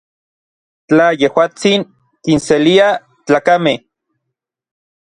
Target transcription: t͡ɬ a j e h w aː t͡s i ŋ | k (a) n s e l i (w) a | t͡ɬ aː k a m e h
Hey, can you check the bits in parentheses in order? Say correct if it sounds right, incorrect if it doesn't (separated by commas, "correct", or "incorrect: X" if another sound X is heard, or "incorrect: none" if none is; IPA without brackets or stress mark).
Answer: incorrect: i, incorrect: none